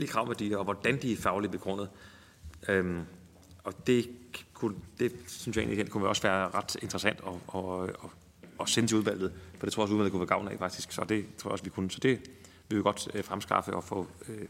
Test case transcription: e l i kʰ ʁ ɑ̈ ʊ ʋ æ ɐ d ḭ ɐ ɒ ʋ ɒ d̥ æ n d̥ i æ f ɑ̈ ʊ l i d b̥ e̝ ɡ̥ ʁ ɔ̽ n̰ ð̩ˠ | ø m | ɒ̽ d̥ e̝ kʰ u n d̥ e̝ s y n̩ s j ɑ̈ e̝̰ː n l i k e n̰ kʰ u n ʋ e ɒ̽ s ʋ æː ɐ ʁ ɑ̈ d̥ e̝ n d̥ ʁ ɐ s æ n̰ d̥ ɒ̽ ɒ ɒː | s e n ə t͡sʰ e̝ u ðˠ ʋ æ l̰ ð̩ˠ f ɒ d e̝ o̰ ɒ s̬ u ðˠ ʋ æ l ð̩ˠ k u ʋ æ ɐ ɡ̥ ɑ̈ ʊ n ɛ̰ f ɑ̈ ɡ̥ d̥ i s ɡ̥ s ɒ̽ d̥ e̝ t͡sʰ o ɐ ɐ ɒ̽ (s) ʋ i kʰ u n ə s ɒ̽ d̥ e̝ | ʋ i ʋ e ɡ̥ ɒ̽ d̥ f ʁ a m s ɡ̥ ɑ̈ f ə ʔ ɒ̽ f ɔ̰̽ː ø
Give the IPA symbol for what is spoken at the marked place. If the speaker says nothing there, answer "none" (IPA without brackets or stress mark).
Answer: s